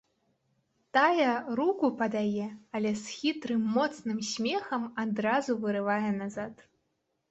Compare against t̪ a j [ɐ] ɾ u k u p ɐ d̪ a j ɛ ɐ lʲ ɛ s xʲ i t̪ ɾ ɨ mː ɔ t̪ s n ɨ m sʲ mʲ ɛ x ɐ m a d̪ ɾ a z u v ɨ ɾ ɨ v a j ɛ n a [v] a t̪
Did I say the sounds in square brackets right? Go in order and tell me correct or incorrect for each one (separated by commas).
correct, incorrect